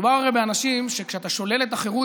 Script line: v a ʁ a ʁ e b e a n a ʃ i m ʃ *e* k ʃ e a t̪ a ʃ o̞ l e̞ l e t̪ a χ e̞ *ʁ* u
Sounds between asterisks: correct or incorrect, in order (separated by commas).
correct, correct